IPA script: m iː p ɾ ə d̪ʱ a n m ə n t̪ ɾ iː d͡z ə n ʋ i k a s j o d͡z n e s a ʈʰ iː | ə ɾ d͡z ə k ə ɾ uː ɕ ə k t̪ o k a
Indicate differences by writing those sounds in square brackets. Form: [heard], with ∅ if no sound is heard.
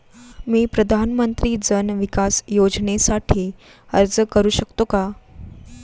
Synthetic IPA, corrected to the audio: m iː p ɾ ə d̪ʱ a n m ə n t̪ ɾ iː d͡z ə n ʋ i k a s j o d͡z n e s a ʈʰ iː | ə ɾ d͡z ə k ə ɾ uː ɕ ə k t̪ o k a